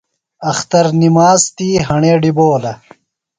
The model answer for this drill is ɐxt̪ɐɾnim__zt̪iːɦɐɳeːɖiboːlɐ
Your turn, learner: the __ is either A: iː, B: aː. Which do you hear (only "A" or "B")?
B